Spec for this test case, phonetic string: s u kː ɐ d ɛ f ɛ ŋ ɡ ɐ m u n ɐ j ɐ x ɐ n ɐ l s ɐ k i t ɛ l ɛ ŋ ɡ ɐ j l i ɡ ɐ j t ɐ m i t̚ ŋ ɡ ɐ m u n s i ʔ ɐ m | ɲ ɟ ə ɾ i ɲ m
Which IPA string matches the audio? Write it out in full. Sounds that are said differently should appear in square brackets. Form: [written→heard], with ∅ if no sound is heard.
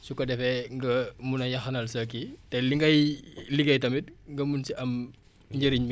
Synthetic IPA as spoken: s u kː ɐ d ɛ f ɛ ŋ ɡ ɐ m u n ɐ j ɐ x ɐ n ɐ l s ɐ k i t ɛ l [ɛ→i] ŋ ɡ ɐ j l i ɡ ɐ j t ɐ m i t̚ ŋ ɡ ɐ m u n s i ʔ ɐ m | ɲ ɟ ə ɾ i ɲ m